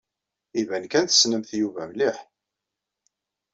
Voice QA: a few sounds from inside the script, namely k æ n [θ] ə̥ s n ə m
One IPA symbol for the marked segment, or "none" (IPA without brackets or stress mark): θ